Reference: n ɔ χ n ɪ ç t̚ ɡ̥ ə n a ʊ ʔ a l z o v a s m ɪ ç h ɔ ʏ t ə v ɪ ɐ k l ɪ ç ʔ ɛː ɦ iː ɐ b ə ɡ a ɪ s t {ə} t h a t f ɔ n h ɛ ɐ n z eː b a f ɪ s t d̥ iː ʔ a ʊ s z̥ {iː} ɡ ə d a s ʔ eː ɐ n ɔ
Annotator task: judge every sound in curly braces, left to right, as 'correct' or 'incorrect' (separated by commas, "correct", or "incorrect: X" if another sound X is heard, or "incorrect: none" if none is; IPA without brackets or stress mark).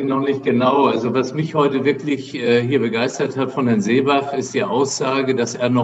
incorrect: ɐ, incorrect: aː